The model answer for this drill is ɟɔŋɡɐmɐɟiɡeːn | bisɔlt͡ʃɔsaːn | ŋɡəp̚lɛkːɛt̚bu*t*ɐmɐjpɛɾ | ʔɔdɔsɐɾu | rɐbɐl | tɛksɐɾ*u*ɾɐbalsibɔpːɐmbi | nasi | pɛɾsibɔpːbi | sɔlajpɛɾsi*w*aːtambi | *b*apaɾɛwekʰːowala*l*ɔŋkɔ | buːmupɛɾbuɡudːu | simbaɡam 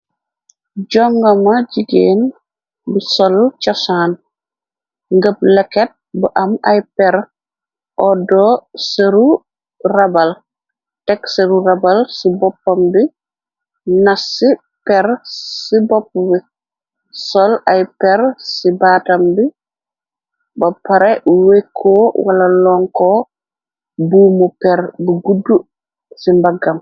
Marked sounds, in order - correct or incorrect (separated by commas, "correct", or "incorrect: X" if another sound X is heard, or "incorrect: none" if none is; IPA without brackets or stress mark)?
incorrect: ʔ, correct, incorrect: b, correct, correct